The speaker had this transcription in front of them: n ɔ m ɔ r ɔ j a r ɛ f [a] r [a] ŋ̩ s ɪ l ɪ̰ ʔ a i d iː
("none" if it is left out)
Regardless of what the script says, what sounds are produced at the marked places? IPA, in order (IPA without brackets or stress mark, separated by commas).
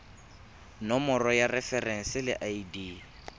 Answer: ɛ, ɛ